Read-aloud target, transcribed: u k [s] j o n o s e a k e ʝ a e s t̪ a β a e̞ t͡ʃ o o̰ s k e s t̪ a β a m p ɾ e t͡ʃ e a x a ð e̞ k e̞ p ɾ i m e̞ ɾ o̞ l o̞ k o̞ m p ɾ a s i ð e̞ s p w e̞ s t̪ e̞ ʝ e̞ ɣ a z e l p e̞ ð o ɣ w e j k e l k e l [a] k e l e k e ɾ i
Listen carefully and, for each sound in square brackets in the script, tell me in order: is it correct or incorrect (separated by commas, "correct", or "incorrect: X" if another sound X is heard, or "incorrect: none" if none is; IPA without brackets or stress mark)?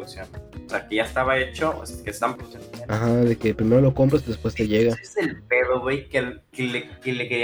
correct, incorrect: e